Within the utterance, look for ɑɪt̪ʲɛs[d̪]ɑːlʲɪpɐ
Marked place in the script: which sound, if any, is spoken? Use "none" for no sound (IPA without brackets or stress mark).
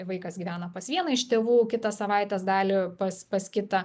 d̪